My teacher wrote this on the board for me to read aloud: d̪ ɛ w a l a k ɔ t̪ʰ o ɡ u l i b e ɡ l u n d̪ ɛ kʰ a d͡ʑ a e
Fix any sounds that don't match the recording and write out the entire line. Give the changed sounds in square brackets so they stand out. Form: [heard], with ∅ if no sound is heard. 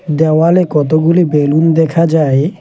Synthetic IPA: d̪ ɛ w a l [e] k ɔ [t̪] o ɡ u l i b e [∅] l u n d̪ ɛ kʰ a d͡ʑ a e